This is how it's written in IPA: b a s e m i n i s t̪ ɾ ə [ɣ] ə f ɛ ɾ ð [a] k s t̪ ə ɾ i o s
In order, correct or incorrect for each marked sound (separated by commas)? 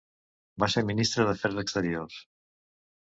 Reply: incorrect, incorrect